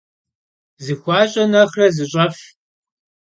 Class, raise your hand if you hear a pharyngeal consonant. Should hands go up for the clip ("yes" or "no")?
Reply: no